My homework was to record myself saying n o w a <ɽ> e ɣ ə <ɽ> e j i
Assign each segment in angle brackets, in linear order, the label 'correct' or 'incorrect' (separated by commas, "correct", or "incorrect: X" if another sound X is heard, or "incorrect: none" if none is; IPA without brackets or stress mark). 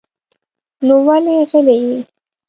incorrect: l, incorrect: l